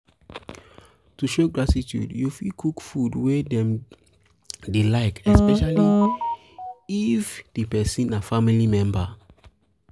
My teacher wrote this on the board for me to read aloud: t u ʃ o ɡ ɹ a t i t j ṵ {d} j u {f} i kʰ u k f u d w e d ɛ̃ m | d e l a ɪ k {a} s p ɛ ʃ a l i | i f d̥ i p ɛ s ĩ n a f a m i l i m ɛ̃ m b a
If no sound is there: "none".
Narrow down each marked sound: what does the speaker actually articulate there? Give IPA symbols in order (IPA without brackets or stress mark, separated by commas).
d, f, ɛ